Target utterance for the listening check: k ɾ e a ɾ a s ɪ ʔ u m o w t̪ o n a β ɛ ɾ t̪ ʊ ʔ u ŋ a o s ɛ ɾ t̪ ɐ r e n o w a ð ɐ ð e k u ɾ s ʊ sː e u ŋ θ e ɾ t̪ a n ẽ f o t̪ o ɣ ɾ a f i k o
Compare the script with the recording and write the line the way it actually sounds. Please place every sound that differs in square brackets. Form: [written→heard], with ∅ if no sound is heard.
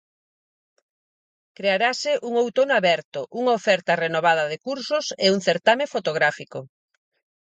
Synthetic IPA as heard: k ɾ e a ɾ a s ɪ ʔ u [m→ŋ] o w t̪ o n a β ɛ ɾ t̪ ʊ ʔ u ŋ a o [s→f] ɛ ɾ t̪ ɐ r e n o [w→β] a ð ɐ ð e k u ɾ s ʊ [sː→s] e u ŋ θ e ɾ t̪ a [n→m] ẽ f o t̪ o ɣ ɾ a f i k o